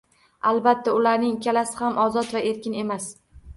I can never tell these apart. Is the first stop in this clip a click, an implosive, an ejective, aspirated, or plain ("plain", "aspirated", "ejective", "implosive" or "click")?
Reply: plain